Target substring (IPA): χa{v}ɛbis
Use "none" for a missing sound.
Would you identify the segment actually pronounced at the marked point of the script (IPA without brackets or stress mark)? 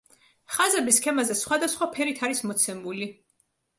z